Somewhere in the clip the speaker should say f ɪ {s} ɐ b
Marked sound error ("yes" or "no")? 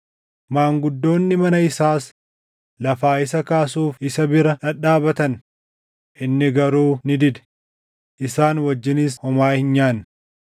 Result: no